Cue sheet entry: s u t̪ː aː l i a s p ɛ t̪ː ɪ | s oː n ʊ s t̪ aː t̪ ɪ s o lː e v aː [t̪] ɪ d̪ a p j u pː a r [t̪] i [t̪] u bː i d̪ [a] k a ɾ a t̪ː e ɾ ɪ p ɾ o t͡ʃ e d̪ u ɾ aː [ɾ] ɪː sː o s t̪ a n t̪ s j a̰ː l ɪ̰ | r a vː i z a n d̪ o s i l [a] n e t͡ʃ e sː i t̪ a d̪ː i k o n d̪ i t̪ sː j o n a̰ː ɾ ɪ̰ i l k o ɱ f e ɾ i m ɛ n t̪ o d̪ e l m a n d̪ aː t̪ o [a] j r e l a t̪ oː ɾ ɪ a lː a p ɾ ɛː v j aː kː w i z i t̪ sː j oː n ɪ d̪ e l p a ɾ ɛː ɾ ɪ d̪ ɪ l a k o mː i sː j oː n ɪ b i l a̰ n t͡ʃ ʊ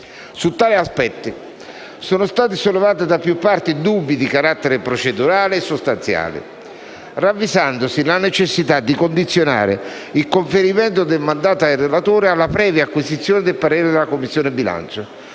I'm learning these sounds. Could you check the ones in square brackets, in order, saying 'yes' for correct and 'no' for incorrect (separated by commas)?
yes, yes, no, no, no, yes, yes